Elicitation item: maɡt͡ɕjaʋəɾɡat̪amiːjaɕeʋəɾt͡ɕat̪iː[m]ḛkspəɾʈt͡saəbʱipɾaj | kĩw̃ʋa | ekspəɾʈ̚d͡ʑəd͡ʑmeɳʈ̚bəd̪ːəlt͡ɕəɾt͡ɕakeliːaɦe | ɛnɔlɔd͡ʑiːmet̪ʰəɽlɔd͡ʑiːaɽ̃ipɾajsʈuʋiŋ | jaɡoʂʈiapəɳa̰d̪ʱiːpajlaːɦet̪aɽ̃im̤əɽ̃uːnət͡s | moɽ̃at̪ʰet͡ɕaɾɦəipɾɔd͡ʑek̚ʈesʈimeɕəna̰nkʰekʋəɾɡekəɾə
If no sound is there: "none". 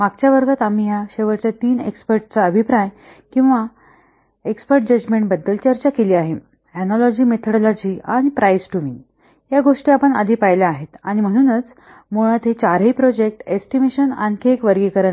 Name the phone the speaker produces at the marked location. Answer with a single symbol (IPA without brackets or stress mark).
n